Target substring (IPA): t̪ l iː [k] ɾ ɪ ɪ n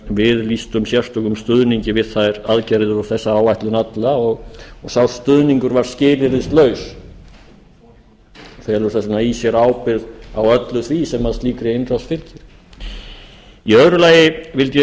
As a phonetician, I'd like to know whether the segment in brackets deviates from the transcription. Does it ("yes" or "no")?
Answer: no